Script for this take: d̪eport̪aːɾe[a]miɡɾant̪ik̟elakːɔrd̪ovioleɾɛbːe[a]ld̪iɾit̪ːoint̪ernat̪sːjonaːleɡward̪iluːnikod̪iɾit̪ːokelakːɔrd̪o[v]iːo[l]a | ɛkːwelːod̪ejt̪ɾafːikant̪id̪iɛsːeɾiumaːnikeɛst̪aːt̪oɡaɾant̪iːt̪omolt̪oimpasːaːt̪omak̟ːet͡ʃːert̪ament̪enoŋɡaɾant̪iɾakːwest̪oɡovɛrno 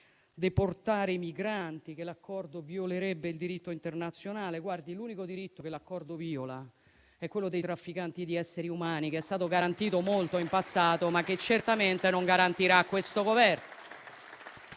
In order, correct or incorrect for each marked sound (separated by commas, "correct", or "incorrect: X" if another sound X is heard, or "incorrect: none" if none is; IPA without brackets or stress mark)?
incorrect: i, incorrect: i, correct, correct